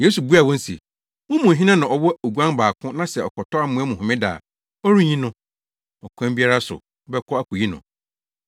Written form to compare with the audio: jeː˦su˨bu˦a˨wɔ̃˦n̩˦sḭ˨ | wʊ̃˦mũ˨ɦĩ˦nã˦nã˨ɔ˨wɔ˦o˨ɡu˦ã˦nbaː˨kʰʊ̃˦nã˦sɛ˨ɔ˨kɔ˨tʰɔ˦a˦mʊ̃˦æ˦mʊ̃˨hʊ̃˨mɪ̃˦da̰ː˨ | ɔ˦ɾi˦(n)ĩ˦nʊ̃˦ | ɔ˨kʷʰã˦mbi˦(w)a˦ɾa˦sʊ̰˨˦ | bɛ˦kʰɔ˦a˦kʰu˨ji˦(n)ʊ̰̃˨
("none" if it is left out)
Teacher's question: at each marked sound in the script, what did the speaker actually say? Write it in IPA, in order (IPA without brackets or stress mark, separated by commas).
ɲ, none, n